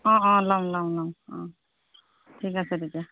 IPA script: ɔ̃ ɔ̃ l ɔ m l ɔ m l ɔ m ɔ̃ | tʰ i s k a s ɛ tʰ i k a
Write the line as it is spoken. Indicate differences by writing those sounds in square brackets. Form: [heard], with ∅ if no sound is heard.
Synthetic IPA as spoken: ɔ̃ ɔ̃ l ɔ m l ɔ m l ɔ m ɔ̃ | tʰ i [∅] k a s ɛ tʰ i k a

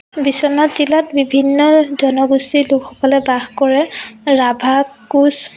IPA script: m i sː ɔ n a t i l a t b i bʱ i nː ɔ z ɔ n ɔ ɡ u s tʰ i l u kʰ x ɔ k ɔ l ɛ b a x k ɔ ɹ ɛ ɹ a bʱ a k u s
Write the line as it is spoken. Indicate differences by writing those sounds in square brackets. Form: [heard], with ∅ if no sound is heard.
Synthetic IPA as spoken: [b] i [s] ɔ n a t i l a t b i bʱ i nː ɔ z ɔ n ɔ ɡ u s [t] i l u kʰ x ɔ k ɔ l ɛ b a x k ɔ ɹ ɛ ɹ a bʱ a k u s

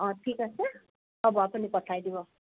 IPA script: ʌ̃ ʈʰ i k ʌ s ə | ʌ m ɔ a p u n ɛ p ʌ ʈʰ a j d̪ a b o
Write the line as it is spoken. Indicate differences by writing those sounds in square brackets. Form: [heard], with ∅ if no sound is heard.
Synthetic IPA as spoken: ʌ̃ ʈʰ i k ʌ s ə | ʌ [b] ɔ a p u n [i] p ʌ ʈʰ a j d̪ [i] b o

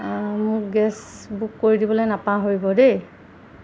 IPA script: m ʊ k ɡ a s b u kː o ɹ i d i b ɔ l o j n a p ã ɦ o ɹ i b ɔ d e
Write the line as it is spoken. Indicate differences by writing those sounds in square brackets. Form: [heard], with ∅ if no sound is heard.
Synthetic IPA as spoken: m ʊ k ɡ [ɛ] s b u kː o ɹ i d i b ɔ l o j n a p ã ɦ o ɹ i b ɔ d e

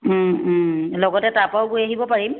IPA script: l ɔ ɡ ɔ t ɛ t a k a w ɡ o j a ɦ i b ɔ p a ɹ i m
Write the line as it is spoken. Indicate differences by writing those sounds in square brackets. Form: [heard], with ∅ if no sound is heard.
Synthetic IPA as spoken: l ɔ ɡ ɔ t ɛ t a [p] a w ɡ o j a ɦ i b ɔ p a ɹ i m

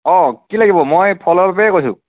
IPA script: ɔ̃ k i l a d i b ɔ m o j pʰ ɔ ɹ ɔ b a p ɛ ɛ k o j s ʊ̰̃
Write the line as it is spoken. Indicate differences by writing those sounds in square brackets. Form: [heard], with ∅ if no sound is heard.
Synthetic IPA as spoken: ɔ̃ k i l a [ɡ] i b ɔ m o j pʰ ɔ [l] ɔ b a p ɛ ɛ k o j s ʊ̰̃

